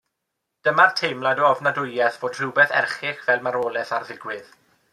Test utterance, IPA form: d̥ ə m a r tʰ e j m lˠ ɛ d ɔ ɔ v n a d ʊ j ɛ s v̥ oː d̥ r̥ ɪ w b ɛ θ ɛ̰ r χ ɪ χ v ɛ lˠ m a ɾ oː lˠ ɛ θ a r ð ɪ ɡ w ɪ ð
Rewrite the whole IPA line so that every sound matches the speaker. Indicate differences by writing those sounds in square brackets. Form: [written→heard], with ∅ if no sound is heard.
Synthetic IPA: d̥ ə m a r tʰ e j m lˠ [ɛ→a] d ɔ ɔ v n a d ʊ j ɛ [s→θ] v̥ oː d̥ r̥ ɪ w b ɛ θ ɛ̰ r χ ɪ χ v ɛ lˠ m a ɾ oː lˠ ɛ θ a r ð ɪ ɡ w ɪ ð